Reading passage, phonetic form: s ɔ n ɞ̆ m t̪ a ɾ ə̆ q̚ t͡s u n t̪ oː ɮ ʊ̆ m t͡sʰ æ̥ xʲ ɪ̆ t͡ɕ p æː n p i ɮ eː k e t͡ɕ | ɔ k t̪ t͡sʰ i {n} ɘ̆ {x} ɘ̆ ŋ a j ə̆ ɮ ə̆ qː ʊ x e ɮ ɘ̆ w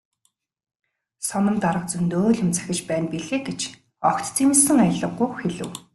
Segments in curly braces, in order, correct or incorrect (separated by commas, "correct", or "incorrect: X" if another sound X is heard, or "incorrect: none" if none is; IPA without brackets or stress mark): incorrect: m, incorrect: s